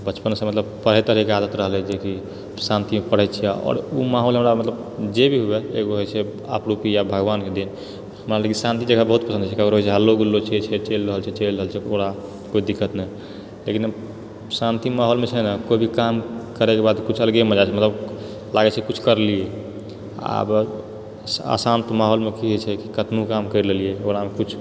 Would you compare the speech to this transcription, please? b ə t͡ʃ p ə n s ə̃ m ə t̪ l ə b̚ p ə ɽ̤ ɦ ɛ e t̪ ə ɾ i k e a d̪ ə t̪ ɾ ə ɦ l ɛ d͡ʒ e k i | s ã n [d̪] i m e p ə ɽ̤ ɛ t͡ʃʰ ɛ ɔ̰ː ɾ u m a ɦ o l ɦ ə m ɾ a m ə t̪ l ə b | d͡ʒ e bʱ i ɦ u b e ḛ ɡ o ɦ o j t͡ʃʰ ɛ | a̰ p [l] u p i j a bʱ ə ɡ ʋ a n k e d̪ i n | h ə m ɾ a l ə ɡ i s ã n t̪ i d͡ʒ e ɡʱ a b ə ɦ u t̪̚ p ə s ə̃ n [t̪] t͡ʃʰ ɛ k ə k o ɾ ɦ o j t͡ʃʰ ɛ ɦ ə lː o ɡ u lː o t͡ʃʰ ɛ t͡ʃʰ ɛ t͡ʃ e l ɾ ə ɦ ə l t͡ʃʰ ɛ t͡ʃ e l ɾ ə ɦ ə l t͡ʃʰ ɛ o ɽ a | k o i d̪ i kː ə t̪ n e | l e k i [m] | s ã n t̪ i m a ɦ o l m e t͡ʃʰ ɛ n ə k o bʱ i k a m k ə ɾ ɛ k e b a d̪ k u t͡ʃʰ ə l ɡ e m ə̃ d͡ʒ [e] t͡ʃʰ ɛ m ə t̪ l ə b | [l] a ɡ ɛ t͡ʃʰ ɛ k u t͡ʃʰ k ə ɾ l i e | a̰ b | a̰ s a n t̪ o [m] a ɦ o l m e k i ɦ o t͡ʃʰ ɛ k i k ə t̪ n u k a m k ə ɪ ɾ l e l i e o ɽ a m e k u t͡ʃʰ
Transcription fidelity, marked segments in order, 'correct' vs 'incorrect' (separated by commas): incorrect, incorrect, incorrect, incorrect, incorrect, correct, correct